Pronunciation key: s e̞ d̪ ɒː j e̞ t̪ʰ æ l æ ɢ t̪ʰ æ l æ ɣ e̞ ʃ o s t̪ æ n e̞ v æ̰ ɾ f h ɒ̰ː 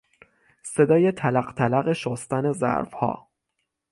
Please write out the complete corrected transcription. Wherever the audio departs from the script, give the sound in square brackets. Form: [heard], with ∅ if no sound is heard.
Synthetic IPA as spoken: s e̞ d̪ ɒː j e̞ t̪ʰ æ l æ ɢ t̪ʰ æ l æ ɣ e̞ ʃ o s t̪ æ n e̞ [z] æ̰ ɾ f h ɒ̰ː